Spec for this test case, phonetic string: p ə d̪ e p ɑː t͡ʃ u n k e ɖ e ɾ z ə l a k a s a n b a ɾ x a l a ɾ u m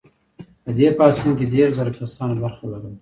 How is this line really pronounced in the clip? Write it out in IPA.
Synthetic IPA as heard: p ə d̪ e p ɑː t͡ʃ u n k e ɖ e ɾ z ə ɾ a k a s ɑ n b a ɾ x a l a ɾ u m